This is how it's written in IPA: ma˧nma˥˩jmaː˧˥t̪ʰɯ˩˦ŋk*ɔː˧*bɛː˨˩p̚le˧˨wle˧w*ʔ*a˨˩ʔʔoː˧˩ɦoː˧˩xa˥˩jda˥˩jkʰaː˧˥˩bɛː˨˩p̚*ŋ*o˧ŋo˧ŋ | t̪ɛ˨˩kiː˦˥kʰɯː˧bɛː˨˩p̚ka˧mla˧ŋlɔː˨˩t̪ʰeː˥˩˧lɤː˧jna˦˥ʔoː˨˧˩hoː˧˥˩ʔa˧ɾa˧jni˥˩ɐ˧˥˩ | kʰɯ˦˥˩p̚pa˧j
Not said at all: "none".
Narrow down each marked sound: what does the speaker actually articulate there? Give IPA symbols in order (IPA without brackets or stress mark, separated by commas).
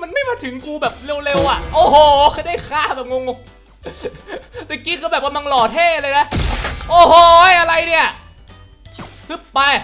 uː˧, ʔ, ŋ